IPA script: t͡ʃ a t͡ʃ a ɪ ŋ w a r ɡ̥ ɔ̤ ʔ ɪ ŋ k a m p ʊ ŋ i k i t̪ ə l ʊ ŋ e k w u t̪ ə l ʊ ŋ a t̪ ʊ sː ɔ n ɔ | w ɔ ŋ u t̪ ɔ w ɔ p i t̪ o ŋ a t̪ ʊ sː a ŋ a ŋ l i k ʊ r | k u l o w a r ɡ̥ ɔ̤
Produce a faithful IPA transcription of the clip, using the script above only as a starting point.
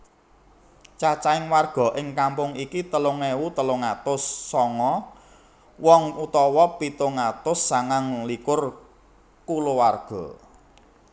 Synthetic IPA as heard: t͡ʃ a t͡ʃ a ɪ ŋ w a r ɡ̥ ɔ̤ ʔ ɪ ŋ k a m p ʊ ŋ i k i t̪ ə l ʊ ŋ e w u t̪ ə l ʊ ŋ a t̪ ʊ sː ɔ ŋ ɔ | w ɔ ŋ u t̪ ɔ w ɔ p i t̪ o ŋ a t̪ ʊ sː a ŋ a ŋ l i k ʊ r | k u l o w a r ɡ̥ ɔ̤